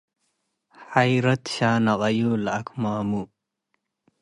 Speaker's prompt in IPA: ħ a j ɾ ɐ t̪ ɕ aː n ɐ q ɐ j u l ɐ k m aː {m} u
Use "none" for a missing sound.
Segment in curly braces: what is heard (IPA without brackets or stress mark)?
m